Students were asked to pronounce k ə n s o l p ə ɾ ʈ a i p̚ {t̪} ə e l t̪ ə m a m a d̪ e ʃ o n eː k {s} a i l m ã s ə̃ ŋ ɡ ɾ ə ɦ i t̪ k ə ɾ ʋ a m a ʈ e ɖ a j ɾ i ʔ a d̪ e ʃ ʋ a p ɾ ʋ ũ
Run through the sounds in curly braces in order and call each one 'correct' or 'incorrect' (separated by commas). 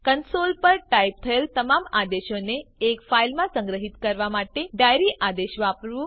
incorrect, incorrect